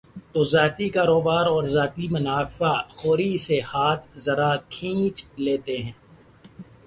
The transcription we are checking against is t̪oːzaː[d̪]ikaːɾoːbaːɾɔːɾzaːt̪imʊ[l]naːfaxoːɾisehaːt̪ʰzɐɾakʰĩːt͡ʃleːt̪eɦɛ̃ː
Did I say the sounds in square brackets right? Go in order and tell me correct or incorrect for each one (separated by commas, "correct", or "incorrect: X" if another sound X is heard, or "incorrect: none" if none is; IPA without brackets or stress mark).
incorrect: t̪, incorrect: none